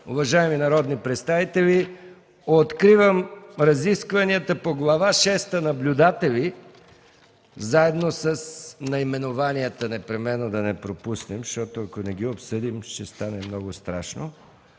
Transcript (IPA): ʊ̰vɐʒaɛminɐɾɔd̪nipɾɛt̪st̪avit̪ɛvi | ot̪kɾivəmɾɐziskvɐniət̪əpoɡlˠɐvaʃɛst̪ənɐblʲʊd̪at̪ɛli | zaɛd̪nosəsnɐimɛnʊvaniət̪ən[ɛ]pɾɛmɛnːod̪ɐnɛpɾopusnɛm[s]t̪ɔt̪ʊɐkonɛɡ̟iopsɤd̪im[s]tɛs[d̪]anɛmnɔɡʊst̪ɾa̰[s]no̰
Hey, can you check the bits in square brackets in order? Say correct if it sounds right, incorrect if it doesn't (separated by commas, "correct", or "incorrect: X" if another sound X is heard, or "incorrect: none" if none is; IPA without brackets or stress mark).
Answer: correct, incorrect: ʃ, incorrect: ʃ, incorrect: t̪, incorrect: ʃ